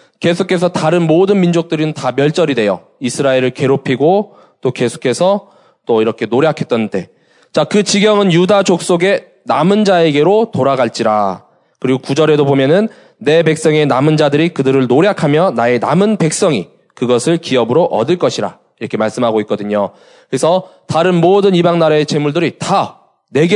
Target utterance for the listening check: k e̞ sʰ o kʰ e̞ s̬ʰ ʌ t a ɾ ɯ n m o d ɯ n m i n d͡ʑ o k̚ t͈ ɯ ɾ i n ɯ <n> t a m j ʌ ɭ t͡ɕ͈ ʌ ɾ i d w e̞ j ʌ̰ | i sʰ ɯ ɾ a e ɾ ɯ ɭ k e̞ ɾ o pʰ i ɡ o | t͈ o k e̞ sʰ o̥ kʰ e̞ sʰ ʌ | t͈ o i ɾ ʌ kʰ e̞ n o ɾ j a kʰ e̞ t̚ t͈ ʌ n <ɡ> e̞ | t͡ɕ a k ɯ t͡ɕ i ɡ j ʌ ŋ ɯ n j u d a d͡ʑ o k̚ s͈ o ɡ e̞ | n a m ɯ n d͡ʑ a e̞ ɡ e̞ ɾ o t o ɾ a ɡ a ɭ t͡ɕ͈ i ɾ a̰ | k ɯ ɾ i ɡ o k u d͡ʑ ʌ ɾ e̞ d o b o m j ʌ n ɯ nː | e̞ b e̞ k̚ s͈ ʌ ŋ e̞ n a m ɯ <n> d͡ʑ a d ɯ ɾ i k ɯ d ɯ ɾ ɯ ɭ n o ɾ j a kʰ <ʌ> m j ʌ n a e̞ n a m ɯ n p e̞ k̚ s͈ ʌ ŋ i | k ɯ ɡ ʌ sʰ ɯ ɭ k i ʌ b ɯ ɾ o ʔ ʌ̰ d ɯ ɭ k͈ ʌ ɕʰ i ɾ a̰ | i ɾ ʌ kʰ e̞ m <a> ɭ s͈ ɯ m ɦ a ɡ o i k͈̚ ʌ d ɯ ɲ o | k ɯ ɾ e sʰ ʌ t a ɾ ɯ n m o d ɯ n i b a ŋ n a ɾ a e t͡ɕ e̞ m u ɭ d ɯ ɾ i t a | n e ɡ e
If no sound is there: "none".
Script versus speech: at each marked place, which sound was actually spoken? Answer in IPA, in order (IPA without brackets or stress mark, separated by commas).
n, d, n, a, a